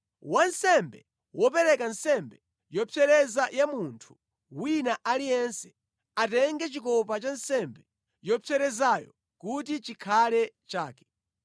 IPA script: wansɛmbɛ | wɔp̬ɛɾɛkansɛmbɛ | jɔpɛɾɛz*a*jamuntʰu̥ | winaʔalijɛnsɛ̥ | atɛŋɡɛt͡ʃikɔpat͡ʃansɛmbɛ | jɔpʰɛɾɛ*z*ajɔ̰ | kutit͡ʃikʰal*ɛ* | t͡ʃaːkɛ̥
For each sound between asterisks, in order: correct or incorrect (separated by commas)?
correct, correct, correct